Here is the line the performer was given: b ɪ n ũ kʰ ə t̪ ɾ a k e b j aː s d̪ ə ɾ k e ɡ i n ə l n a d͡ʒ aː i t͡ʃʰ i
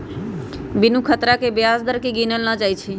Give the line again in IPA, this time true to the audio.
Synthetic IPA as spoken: b ɪ n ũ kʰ ə t̪ ɾ a k e b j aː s d̪ ə ɾ k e ɡ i n ə l n a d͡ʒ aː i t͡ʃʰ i